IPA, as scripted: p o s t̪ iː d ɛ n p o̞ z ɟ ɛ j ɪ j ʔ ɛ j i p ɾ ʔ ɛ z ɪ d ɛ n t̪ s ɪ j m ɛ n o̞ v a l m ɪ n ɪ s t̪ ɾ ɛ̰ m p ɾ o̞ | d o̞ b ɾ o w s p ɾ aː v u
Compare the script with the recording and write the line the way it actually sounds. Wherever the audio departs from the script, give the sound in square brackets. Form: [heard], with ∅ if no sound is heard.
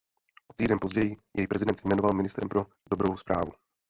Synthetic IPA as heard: [ʔ] o [∅] t̪ iː d ɛ n p o̞ z ɟ ɛ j ɪ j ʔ ɛ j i p ɾ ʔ ɛ z ɪ d ɛ n t̪ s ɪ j m ɛ n o̞ v a l m ɪ n ɪ s t̪ ɾ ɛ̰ m p ɾ o̞ | d o̞ b ɾ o w s p ɾ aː v u